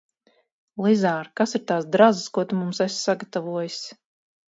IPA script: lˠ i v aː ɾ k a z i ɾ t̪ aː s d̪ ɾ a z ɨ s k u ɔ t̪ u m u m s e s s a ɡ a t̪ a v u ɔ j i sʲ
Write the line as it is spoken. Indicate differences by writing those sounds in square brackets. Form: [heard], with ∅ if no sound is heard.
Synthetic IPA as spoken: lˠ i [z] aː ɾ k a [s] i ɾ t̪ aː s d̪ ɾ a z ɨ s k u ɔ t̪ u m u m s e s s a ɡ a t̪ a v u ɔ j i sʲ